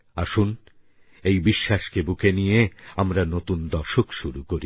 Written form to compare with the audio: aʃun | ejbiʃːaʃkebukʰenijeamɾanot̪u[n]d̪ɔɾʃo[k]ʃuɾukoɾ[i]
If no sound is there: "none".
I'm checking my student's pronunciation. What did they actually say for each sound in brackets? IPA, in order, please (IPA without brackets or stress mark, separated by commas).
n, k, i